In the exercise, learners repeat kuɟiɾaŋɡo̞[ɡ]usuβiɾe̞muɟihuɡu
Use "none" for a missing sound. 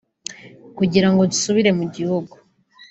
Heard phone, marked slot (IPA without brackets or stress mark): d